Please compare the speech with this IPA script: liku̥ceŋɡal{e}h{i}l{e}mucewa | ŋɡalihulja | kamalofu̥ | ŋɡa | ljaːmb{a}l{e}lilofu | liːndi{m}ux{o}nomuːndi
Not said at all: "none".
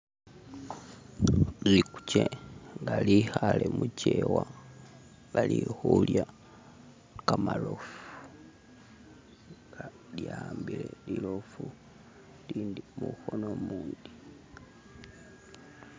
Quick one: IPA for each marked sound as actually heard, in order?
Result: i, a, e, i, e, m, o

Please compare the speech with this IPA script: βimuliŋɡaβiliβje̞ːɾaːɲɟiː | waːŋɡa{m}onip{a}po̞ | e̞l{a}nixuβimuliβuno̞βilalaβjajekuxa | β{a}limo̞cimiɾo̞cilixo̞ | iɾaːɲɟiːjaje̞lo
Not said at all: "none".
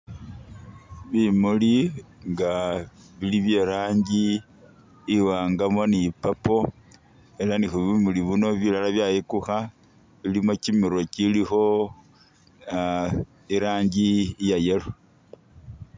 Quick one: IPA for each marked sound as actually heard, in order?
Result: m, a, a, i

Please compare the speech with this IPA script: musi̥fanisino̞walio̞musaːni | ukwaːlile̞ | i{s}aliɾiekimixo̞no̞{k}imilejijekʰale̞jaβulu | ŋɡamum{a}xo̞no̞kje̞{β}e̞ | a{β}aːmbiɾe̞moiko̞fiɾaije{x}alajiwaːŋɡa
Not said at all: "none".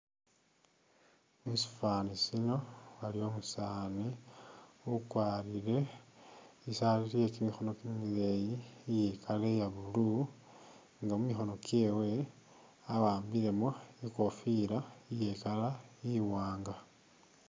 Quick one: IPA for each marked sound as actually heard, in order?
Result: s, k, i, w, w, k

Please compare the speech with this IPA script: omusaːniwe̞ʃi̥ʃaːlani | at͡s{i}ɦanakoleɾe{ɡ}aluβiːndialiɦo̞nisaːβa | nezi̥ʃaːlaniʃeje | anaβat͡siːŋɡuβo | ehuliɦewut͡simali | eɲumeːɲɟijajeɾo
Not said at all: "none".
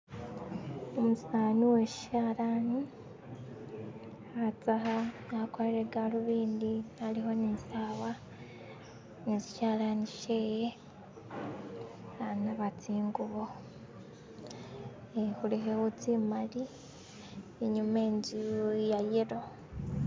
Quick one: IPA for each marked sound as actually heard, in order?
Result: a, ɡ

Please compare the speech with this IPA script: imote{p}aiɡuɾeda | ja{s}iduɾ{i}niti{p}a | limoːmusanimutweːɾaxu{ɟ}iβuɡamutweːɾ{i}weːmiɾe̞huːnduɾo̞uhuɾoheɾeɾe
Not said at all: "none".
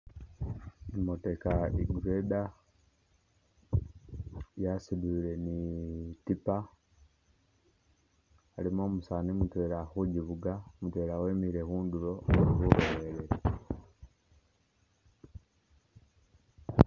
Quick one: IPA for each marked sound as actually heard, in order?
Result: k, s, e, p, ɟ, a

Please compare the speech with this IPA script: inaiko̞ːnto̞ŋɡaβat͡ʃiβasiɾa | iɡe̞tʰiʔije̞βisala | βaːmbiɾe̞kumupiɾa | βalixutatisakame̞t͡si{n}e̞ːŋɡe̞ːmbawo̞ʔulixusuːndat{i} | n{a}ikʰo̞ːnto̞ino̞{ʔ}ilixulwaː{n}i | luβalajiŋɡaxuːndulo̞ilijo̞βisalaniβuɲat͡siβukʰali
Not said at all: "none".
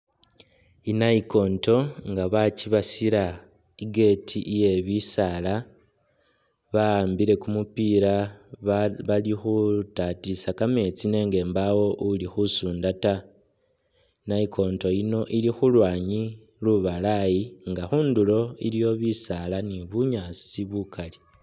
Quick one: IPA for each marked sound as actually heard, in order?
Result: n, a, a, ʔ, ɲ

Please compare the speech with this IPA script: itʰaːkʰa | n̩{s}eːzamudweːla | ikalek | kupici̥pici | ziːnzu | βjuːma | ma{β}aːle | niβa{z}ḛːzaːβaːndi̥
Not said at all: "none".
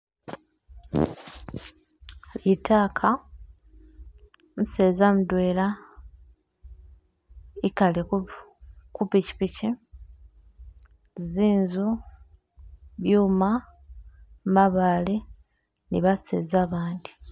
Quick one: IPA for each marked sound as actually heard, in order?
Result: s, β, s

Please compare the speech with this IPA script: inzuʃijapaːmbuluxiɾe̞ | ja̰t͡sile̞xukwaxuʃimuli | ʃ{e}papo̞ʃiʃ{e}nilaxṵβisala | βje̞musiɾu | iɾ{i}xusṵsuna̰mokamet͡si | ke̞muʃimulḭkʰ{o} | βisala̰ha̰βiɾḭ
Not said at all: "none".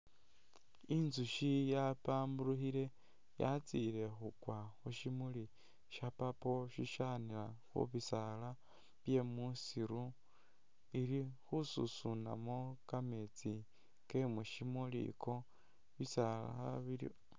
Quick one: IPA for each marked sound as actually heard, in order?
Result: a, a, i, o

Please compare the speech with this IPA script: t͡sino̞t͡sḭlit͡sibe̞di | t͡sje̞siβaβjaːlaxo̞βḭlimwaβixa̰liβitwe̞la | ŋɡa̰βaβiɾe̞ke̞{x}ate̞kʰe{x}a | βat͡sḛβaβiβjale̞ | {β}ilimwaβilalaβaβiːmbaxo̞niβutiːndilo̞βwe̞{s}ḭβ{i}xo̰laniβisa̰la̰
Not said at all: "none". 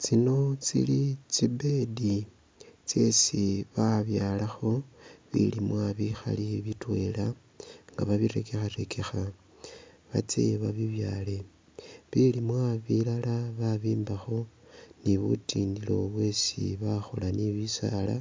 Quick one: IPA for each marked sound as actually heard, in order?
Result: x, x, β, s, a

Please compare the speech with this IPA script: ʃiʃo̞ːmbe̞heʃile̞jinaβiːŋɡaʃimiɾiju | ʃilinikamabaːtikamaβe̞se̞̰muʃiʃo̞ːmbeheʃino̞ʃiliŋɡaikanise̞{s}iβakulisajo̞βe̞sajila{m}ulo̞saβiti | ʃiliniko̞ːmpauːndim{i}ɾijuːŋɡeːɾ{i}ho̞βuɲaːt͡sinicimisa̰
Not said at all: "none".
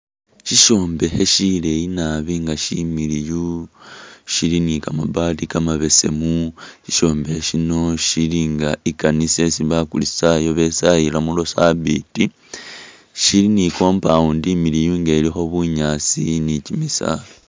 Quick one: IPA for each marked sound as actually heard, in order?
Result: s, m, i, i

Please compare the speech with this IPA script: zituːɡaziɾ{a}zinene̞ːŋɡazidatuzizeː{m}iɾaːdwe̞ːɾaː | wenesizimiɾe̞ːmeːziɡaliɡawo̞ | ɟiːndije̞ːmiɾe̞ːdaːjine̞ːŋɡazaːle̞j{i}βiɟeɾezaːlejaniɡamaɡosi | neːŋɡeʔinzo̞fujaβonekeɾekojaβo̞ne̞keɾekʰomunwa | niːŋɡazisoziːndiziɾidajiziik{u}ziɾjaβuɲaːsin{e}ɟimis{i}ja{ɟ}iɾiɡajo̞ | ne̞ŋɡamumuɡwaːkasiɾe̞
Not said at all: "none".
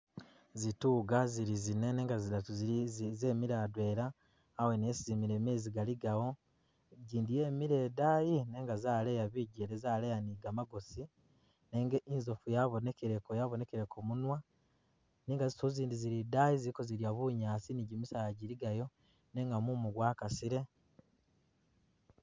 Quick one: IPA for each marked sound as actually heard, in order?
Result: i, m, a, o, i, a, ɟ

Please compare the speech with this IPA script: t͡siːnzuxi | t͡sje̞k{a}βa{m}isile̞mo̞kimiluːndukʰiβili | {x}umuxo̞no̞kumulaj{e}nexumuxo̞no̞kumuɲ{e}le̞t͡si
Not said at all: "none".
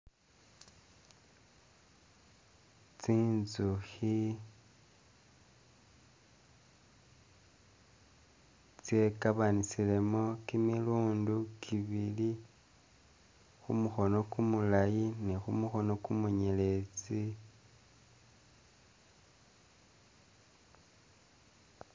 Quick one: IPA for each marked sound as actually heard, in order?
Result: a, n, x, i, e

